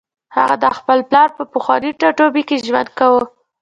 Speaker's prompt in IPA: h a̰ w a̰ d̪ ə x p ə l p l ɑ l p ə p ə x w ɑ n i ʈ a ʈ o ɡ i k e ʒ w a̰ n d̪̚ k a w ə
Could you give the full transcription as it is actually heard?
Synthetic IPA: h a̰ ɣ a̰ d̪ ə x p ə l p l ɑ ɾ p ə p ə x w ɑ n i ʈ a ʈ o b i k e ʒ w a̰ n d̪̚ k a w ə